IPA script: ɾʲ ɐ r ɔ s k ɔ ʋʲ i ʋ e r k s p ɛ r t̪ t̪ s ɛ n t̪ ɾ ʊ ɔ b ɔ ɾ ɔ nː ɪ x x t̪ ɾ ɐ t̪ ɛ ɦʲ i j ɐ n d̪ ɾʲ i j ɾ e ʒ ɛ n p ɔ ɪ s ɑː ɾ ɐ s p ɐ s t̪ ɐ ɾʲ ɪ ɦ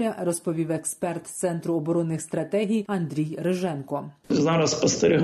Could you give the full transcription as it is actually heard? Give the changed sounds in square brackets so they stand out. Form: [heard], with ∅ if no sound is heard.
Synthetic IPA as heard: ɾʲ ɐ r ɔ s [p] ɔ ʋʲ i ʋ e [∅] k s p ɛ r t̪ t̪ s ɛ n t̪ ɾ ʊ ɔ b ɔ ɾ ɔ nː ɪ x [s] t̪ ɾ ɐ t̪ ɛ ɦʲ i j ɐ n d̪ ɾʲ i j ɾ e ʒ ɛ n [k] ɔ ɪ [z] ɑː ɾ ɐ s p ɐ s t̪ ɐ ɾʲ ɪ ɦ